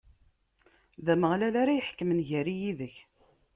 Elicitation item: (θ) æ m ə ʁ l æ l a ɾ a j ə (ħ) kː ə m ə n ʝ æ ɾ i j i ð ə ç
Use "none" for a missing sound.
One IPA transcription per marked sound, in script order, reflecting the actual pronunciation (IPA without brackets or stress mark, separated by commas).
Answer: ð, ħ